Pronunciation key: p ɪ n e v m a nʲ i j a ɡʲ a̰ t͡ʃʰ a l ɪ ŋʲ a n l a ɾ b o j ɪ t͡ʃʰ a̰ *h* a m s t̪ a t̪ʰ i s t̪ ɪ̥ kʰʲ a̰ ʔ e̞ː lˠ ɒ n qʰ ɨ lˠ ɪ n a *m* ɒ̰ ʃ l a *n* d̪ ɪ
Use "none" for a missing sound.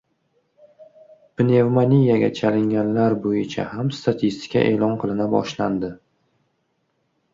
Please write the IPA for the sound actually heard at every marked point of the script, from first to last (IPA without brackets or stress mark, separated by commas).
h, b, n